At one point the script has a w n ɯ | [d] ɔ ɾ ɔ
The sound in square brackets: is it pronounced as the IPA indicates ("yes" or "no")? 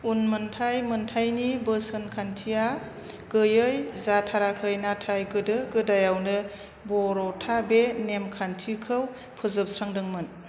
no